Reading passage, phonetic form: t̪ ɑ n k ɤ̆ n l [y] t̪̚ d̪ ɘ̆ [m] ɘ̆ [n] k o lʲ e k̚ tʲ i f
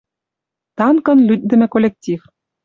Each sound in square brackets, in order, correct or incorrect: correct, correct, incorrect

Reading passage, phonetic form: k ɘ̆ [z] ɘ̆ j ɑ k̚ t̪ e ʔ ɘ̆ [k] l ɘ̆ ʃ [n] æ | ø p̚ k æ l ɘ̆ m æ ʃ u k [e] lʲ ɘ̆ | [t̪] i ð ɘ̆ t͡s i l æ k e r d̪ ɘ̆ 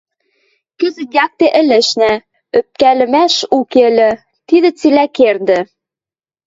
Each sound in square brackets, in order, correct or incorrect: correct, incorrect, correct, correct, correct

